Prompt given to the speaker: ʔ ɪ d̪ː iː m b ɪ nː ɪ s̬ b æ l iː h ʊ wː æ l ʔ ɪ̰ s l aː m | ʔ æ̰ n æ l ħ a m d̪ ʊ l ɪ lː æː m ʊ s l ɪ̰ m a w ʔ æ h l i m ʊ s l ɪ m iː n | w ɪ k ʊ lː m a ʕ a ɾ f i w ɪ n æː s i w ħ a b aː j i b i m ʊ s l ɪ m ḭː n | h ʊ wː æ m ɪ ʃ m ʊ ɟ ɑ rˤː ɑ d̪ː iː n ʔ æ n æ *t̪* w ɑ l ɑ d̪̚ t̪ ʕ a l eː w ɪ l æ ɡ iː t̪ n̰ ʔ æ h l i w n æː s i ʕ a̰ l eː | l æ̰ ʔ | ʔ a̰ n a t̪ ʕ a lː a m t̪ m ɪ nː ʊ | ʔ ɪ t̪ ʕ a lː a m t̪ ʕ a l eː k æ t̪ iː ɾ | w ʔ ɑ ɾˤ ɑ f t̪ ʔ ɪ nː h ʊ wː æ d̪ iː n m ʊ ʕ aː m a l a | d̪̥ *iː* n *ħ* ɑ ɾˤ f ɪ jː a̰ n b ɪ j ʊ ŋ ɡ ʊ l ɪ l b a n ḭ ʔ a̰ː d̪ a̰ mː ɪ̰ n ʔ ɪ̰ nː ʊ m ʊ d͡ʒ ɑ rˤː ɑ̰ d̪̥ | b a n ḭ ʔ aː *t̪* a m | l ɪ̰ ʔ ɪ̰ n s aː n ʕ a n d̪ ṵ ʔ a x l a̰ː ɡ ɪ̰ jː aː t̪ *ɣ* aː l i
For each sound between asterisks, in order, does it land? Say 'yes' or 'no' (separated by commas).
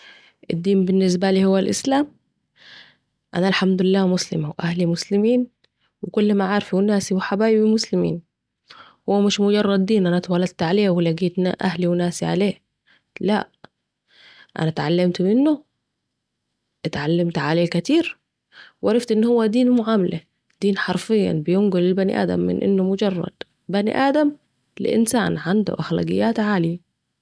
yes, yes, yes, no, no